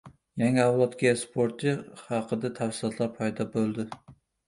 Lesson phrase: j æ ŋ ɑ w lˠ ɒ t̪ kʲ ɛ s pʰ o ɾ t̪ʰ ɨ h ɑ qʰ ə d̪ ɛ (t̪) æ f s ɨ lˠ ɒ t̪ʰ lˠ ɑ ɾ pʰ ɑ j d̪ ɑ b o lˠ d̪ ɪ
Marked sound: incorrect: t̪ʰ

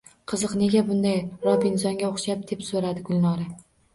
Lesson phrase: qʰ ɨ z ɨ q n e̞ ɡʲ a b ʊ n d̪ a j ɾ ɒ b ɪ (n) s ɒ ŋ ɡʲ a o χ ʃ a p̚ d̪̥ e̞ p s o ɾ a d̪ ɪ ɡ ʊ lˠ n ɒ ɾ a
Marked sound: correct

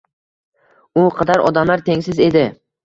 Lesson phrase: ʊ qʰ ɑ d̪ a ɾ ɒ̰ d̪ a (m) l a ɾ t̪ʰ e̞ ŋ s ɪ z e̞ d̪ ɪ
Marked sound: correct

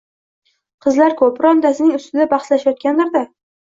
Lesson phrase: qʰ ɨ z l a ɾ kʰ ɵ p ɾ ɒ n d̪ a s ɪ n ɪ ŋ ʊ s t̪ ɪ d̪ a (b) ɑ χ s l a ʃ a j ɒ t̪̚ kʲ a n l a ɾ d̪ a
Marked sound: correct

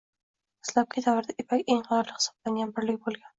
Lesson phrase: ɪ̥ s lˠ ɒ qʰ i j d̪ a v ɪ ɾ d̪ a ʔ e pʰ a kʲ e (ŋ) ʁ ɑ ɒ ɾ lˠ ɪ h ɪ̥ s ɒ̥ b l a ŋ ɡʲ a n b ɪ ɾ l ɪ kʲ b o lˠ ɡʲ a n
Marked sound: correct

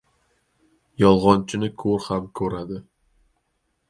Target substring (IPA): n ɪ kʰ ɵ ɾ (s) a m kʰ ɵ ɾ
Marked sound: incorrect: h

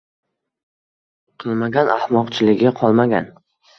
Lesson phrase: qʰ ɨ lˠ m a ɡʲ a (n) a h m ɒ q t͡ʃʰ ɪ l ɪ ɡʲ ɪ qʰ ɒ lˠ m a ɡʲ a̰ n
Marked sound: correct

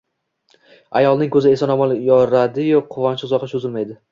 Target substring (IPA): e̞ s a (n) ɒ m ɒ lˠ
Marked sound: correct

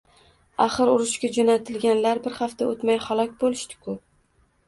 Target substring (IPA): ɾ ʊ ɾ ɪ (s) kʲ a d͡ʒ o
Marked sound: incorrect: ʃ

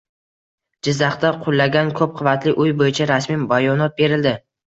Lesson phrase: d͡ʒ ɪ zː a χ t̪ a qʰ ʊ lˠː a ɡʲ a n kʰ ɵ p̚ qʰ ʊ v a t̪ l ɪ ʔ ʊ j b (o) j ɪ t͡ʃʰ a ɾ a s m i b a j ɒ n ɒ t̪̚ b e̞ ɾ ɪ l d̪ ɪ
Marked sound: correct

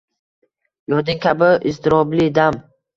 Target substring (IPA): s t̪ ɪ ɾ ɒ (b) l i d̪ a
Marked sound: correct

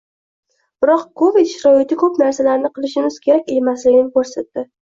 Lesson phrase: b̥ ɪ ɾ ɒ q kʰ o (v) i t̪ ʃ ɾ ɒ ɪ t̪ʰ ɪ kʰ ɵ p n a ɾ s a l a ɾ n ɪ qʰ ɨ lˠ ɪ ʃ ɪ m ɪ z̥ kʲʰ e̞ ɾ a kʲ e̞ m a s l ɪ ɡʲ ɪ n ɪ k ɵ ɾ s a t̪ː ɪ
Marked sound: correct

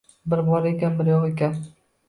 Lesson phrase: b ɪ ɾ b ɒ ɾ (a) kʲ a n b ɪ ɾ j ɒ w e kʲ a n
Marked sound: incorrect: e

